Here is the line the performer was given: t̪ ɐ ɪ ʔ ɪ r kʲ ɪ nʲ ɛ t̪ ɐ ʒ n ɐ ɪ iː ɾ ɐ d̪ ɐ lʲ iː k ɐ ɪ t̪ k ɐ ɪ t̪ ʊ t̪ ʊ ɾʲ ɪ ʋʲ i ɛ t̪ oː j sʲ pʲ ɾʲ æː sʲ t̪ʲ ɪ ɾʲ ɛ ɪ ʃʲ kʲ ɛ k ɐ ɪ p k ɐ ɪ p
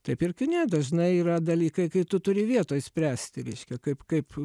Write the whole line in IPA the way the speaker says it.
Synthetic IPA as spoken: t̪ ɐ ɪ p ɪ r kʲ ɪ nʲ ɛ d̪ ɐ ʒ n ɐ ɪ iː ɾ ɐ d̪ ɐ lʲ iː k ɐ ɪ k ɐ ɪ t̪ ʊ t̪ ʊ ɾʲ ɪ ʋʲ i ɛ t̪ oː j sʲ pʲ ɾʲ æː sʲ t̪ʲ ɪ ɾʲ ɛ ɪ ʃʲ kʲ ɛ k ɐ ɪ p k ɐ ɪ p